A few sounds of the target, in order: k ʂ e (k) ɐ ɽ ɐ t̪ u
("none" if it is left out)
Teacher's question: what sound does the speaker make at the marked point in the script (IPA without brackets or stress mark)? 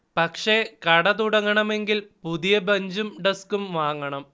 k